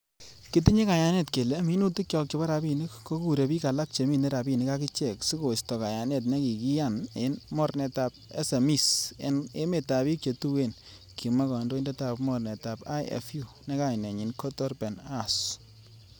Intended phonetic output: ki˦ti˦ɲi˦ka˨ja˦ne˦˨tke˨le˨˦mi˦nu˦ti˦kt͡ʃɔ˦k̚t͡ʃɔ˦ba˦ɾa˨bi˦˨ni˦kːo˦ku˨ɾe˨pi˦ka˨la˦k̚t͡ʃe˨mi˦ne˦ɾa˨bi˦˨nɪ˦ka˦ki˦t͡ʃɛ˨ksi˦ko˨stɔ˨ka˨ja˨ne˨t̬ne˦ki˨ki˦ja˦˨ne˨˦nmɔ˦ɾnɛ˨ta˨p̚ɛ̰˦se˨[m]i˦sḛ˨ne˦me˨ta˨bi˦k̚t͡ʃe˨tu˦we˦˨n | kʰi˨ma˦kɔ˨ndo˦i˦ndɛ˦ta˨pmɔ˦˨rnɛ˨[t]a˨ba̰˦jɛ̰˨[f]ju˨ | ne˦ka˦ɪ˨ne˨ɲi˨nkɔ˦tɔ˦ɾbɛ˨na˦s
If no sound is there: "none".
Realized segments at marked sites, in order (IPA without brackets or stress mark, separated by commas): m, t, f